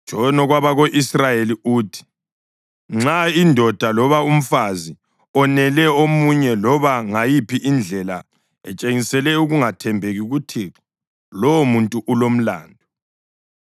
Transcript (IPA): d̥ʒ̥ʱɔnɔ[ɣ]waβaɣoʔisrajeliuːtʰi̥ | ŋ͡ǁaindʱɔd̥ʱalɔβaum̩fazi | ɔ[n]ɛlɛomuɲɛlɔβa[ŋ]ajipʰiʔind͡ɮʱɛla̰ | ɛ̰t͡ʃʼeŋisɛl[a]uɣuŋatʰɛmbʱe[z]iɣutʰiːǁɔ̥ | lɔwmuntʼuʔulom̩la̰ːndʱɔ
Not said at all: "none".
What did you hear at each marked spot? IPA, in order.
ɣ, n, ŋ, ɛ, ɣ

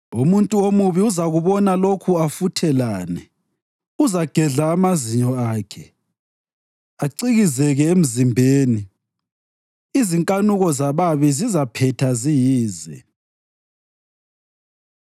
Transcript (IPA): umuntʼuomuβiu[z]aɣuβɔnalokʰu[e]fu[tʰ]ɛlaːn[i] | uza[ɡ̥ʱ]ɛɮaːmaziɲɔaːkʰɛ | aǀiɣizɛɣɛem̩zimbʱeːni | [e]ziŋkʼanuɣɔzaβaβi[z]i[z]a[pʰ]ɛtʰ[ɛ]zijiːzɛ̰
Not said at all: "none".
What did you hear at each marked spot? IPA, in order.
z, a, tʰ, ɛ, ɡ̥ʱ, i, z, z, pʰ, a

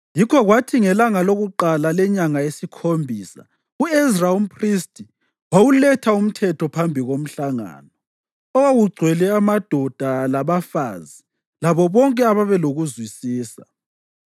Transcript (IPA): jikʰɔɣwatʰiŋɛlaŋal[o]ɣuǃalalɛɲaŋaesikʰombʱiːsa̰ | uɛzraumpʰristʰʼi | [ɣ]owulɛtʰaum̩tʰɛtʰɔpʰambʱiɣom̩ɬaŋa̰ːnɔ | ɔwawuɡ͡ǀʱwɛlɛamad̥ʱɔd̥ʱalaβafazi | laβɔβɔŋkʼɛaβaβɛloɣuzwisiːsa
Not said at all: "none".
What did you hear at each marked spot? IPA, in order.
o, w

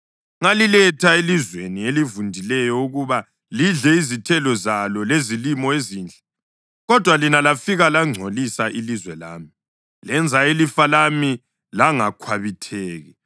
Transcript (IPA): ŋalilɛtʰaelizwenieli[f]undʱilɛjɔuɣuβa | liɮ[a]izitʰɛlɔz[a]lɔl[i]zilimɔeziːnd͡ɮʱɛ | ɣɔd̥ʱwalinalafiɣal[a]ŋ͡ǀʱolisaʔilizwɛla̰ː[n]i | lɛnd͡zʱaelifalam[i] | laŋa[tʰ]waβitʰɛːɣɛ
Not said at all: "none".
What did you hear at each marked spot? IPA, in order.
v, ɛ, a, e, a, m, i, kʰ

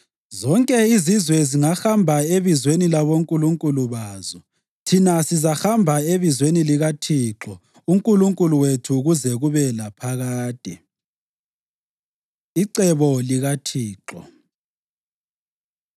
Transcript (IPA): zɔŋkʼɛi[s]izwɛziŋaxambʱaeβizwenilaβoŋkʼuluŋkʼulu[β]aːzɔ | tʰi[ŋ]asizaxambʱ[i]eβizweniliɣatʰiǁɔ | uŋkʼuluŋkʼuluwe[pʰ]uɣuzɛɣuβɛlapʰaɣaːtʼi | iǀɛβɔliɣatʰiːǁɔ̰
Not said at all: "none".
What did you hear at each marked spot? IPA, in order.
z, β, n, a, tʰ

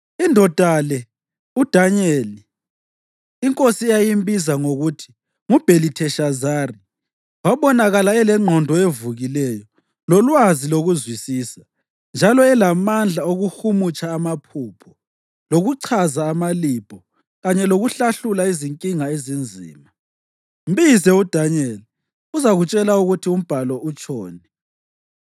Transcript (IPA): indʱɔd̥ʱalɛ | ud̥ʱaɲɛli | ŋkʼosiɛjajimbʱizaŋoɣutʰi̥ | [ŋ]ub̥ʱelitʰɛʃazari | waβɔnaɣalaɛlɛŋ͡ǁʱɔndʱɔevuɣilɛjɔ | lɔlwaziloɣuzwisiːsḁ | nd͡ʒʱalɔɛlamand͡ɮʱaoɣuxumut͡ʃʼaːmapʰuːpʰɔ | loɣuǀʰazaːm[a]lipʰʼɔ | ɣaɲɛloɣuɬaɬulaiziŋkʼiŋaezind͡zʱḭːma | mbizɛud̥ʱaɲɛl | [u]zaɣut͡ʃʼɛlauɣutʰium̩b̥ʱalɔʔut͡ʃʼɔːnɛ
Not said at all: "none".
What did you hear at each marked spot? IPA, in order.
ŋ, a, u

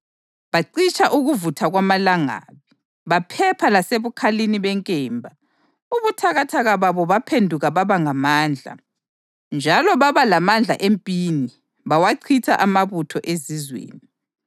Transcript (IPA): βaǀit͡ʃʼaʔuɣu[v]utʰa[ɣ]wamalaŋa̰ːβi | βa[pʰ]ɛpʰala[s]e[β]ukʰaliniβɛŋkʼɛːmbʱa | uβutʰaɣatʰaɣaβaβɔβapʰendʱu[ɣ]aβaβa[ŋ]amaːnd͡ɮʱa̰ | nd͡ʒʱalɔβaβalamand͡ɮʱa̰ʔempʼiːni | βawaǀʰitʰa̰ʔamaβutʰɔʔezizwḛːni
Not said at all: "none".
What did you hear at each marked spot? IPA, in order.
v, ɣ, pʰ, s, β, ɣ, ŋ

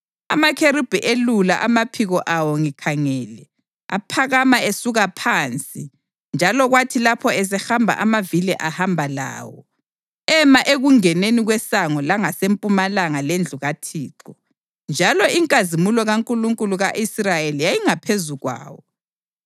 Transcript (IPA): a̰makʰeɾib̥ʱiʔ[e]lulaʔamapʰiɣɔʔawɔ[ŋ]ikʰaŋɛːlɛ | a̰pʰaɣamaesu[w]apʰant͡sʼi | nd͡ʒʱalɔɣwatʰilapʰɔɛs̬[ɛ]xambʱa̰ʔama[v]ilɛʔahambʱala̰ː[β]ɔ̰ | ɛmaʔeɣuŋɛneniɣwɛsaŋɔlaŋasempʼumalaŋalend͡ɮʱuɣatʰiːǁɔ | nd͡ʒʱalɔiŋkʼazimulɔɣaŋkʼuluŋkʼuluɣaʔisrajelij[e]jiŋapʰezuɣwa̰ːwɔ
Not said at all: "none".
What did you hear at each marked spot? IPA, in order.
e, ŋ, ɣ, ɛ, v, w, a

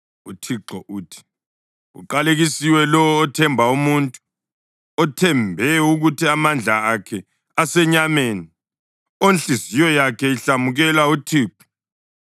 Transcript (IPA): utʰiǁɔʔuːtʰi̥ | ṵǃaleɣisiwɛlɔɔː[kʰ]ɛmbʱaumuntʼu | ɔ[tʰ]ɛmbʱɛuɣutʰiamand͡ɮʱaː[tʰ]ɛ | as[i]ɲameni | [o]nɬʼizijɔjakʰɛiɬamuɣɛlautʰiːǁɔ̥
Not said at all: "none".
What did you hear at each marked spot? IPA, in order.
tʰ, tʰ, kʰ, ɛ, o

